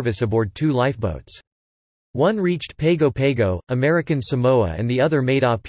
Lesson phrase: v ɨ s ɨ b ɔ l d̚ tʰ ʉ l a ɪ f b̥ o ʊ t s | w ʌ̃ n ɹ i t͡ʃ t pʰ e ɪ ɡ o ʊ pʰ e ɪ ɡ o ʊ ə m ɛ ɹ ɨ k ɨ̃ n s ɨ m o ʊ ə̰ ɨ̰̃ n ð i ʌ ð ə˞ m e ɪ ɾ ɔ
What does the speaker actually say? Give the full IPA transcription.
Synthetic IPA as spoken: v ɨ s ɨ b ɔ ɹ d̚ tʰ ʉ l a ɪ f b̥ o ʊ t s | w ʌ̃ n ɹ i t͡ʃ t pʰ e ɪ ɡ o ʊ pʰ e ɪ ɡ o ʊ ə m ɛ ɹ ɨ k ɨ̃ n s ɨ m o ʊ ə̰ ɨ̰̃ n ð i ʌ ð ə˞ m e ɪ ɾ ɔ